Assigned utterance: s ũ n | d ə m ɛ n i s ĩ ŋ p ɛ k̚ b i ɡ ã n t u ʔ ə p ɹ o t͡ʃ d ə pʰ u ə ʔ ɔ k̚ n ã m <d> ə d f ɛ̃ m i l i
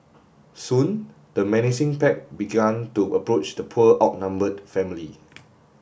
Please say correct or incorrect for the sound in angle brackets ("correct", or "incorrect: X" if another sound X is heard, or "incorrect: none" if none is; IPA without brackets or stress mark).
incorrect: b